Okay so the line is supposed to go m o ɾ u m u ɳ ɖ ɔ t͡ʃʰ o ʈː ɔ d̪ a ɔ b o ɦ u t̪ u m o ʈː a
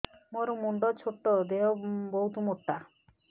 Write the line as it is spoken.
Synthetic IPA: m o ɾ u m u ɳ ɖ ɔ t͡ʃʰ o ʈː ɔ d̪ e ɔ b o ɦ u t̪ u m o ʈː a